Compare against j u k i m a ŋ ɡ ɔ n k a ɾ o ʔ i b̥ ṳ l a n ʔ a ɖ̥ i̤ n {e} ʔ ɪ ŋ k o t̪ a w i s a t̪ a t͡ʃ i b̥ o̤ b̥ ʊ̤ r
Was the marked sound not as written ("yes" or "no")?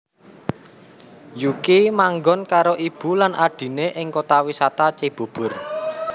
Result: no